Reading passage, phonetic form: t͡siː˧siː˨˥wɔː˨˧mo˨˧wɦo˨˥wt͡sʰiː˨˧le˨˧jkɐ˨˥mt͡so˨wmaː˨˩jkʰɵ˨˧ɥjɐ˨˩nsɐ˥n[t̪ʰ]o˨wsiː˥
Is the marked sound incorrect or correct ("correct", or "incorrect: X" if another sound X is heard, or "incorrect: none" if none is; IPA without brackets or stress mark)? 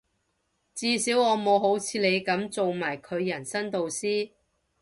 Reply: incorrect: t̪